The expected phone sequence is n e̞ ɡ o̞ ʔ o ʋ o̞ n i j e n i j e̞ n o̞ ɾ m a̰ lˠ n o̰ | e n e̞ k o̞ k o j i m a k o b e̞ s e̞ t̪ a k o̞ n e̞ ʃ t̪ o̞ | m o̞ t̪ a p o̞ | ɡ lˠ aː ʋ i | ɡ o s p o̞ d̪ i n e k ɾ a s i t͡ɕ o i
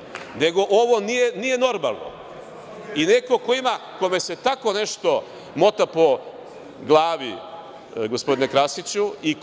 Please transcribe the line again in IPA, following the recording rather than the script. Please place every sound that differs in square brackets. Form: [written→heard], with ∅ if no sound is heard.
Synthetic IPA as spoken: n e̞ ɡ o̞ ʔ o ʋ o̞ n i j e n i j e̞ n o̞ ɾ m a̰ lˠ n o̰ | [e→i] n e̞ k o̞ k o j i m a k o [b→m] e̞ s e̞ t̪ a k o̞ n e̞ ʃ t̪ o̞ | m o̞ t̪ a p o̞ | ɡ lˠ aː ʋ i | ɡ o s p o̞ d̪ i n e k ɾ a s i t͡ɕ [o→u] i